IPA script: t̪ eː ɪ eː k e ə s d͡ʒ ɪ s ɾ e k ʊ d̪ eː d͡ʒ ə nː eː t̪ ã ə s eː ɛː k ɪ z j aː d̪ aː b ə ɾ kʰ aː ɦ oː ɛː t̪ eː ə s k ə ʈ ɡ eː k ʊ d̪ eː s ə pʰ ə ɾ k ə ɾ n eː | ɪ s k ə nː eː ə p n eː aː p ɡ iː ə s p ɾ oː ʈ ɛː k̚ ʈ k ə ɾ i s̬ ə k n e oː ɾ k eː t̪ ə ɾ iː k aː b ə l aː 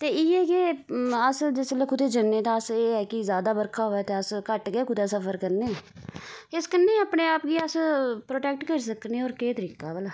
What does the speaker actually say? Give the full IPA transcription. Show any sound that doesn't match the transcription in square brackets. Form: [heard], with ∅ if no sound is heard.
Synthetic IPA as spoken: t̪ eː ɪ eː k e ə s d͡ʒ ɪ s [l] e k ʊ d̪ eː d͡ʒ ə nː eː t̪ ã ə s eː ɛː k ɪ z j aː d̪ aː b ə ɾ kʰ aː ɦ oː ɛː t̪ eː ə s k ə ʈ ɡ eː k ʊ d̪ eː s ə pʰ ə ɾ k ə ɾ n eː | ɪ s k ə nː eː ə p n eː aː p ɡ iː ə s p ɾ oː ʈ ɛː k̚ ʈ k ə ɾ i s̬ ə k n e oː ɾ k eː t̪ ə ɾ iː k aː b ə l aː